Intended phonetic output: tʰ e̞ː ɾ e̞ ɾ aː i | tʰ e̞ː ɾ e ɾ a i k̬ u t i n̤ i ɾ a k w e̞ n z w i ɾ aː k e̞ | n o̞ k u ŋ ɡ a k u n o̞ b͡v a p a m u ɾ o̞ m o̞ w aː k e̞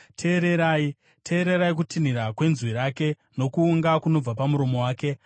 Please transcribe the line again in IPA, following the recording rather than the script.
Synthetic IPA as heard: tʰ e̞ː ɾ e̞ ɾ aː i | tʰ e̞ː ɾ e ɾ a i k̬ u t i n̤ i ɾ a k w e̞ n z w i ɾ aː k e̞ | n o̞ k uː ŋ ɡ a k u n o̞ b͡v a p a m u ɾ o̞ m o̞ w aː k e̞